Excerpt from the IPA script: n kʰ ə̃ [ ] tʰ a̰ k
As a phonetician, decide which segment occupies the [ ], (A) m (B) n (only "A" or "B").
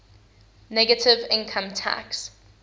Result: A